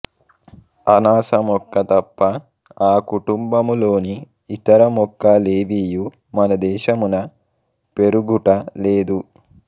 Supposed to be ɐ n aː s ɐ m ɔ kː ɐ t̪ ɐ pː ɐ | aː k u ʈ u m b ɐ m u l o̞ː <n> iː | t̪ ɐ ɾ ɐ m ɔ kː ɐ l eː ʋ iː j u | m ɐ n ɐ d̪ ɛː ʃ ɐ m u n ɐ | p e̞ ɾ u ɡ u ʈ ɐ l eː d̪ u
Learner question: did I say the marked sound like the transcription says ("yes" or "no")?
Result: yes